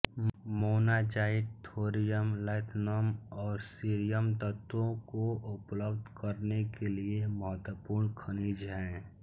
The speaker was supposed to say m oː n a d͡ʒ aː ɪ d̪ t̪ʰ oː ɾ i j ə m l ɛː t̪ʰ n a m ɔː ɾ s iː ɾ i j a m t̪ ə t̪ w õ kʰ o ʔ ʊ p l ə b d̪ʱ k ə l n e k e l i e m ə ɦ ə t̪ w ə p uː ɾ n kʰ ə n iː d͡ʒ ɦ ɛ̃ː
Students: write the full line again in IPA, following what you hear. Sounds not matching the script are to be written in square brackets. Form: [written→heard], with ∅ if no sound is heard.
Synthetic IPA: m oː n a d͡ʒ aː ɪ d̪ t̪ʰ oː ɾ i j ə m l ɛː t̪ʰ n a m ɔː ɾ s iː ɾ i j [a→ə] m t̪ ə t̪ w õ [kʰ→k] o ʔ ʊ p l ə b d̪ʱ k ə [l→ɾ] n e k e l i e m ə ɦ ə t̪ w ə p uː ɾ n kʰ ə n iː d͡ʒ ɦ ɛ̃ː